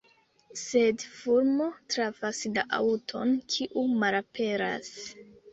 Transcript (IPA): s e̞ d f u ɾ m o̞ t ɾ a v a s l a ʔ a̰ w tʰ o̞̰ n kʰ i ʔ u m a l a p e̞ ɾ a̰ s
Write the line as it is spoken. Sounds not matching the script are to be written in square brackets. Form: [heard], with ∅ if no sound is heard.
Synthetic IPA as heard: s e̞ d f u ɾ m o̞ t ɾ a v a s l a ʔ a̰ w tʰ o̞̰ n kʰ i ʔ u m a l a p e̞ ɾ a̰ s